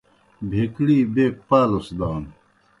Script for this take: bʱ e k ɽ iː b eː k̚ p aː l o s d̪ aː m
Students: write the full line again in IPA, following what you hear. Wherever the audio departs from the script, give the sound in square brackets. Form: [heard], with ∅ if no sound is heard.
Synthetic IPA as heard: bʱ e k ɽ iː b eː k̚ p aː l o s d̪ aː [n]